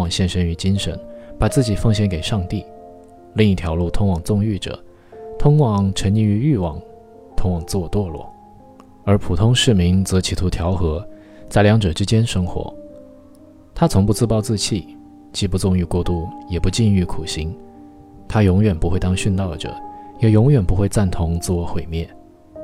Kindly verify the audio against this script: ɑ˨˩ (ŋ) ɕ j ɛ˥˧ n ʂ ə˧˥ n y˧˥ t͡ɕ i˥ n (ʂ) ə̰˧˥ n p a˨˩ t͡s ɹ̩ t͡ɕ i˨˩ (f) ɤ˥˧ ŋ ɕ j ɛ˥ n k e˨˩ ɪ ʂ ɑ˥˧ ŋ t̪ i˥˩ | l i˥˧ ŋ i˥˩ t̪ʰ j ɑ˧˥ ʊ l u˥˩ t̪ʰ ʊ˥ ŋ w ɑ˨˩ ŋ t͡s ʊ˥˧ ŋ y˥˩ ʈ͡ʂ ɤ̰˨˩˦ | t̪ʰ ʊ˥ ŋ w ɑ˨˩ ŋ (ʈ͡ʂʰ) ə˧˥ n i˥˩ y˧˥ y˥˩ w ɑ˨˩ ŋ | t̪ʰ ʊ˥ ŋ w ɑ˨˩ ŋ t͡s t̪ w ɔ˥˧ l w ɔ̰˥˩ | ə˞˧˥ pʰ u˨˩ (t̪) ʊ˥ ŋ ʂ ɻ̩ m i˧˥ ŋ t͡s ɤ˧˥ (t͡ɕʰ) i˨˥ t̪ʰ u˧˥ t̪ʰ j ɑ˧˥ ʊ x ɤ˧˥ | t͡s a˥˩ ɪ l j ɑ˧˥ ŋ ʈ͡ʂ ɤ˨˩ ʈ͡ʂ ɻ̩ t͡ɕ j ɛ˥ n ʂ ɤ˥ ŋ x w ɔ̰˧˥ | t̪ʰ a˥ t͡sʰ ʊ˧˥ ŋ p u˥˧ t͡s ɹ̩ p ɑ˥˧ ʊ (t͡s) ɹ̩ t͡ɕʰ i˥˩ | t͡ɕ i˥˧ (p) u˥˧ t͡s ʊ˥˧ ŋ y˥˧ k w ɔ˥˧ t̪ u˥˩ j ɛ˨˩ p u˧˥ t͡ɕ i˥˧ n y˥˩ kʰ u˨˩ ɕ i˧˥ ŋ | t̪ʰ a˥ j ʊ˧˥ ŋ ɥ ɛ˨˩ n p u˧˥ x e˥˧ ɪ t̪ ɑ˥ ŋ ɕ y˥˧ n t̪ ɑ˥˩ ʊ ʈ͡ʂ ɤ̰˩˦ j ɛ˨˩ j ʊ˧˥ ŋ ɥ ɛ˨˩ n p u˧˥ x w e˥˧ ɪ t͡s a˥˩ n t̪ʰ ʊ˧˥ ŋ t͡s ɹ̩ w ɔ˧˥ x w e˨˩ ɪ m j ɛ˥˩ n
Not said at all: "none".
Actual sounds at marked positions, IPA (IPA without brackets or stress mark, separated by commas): ŋ, ʂ, f, ʈ͡ʂʰ, t̪ʰ, t͡ɕʰ, t͡s, p